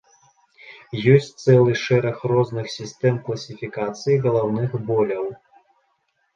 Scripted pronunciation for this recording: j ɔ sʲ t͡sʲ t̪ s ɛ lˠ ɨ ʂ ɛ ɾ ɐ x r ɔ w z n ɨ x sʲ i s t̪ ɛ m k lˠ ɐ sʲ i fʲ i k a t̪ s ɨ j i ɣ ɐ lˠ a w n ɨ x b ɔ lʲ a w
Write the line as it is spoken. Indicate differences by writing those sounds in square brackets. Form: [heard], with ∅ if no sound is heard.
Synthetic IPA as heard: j ɔ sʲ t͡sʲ t̪ s ɛ lˠ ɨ ʂ ɛ ɾ ɐ x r ɔ [∅] z n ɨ x sʲ i s t̪ ɛ m k lˠ ɐ sʲ i fʲ i k a t̪ s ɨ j i ɣ ɐ lˠ a w n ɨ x b ɔ lʲ [ɐ] w